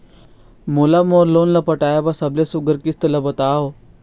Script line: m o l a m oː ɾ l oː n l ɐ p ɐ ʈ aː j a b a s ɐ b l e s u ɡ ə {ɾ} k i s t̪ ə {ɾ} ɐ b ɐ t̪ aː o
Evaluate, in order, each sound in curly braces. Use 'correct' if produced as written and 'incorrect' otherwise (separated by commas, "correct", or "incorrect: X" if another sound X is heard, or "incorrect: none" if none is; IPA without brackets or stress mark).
correct, incorrect: l